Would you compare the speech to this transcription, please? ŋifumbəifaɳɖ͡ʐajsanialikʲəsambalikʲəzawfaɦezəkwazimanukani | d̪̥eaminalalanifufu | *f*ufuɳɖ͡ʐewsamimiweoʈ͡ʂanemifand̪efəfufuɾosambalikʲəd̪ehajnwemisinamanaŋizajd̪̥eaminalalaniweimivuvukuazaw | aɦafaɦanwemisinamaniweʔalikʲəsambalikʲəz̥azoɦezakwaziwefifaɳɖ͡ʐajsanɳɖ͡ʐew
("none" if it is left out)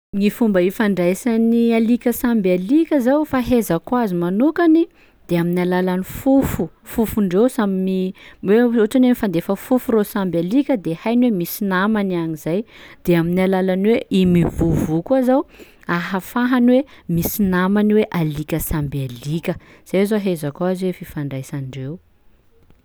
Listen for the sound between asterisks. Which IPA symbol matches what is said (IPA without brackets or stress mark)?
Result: f